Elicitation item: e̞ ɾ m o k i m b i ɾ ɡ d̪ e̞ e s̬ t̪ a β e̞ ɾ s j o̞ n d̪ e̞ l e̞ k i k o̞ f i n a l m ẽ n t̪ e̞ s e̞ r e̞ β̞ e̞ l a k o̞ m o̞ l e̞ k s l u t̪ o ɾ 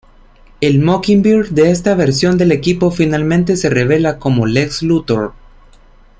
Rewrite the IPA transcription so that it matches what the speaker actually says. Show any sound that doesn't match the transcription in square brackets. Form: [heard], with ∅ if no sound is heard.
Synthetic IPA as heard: e̞ [l] m o k i m b i ɾ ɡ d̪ e̞ e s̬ t̪ a β e̞ ɾ s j o̞ n d̪ e̞ l e̞ k i [p] o̞ f i n a l m ẽ n t̪ e̞ s e̞ r e̞ β̞ e̞ l a k o̞ m o̞ l e̞ k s l u t̪ o ɾ